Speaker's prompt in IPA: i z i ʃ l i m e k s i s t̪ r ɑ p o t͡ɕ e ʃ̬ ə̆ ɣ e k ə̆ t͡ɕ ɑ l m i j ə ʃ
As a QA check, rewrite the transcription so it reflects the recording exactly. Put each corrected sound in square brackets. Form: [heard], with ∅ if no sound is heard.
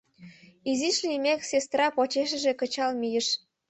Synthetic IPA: i z i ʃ l i m e k s [e] s t̪ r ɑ p o t͡ɕ e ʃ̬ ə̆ [ʒ] e k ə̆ t͡ɕ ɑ l m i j ə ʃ